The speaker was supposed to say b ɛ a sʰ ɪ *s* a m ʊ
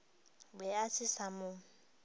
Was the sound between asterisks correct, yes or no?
yes